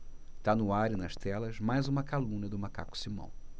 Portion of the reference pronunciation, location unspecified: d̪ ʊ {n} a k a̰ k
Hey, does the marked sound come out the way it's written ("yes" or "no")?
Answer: no